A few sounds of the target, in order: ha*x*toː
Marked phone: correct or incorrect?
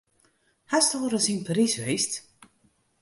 incorrect